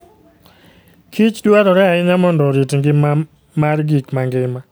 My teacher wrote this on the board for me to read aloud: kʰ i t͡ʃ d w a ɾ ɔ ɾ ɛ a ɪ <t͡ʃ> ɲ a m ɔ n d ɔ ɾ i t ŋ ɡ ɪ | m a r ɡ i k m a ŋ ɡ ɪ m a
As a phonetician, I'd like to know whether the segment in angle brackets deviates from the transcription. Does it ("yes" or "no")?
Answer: yes